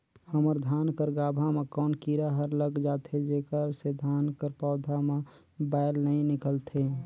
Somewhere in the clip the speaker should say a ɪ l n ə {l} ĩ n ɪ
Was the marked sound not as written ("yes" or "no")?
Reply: yes